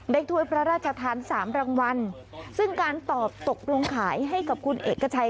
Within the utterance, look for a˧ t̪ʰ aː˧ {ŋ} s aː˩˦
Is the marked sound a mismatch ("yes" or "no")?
yes